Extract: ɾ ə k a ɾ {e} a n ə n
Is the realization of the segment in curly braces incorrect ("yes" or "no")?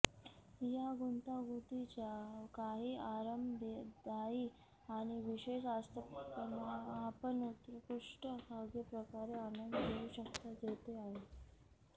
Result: no